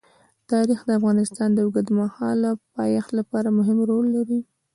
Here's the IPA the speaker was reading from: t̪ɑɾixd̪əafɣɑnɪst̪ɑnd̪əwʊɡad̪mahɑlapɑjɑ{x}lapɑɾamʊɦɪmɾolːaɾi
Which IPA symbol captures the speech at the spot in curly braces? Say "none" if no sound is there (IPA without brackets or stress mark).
x